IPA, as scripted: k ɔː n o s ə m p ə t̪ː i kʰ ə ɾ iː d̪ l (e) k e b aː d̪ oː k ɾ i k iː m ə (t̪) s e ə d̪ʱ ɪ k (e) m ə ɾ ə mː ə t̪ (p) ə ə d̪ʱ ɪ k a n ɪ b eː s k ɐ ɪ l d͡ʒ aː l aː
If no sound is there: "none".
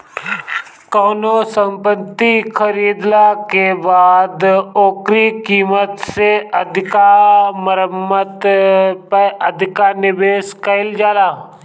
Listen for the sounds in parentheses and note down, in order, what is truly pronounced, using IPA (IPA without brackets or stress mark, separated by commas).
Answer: a, t̪, a, p